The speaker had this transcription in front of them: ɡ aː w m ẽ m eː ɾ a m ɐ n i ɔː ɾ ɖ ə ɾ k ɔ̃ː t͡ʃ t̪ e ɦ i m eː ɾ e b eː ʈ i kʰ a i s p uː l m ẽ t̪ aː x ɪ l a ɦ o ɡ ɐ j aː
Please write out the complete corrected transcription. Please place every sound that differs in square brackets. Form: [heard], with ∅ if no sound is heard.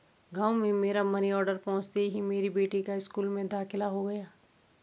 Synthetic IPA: ɡ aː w m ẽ m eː ɾ a m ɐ n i ɔː ɾ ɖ ə ɾ [p] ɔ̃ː t͡ʃ t̪ e ɦ i m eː ɾ [i] b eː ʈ i [k] a [ɪ] s [k] uː l m ẽ [d̪] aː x ɪ l a ɦ o ɡ ɐ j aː